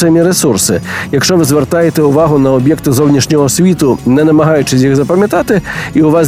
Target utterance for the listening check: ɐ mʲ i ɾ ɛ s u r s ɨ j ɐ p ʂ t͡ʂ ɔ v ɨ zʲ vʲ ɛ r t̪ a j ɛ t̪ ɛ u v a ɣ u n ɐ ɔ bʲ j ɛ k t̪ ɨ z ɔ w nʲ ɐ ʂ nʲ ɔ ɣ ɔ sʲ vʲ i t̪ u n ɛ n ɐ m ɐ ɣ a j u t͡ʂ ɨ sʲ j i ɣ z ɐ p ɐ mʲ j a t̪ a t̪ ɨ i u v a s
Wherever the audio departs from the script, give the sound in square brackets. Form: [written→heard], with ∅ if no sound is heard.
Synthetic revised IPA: ɐ mʲ i ɾ ɛ s u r s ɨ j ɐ [p→k] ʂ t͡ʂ ɔ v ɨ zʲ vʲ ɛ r t̪ a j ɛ t̪ ɛ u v a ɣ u n ɐ ɔ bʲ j ɛ k t̪ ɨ z ɔ w nʲ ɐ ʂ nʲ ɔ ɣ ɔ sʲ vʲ i t̪ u n ɛ n ɐ m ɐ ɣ a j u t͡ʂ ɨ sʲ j i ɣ z ɐ p ɐ mʲ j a t̪ a t̪ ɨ i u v a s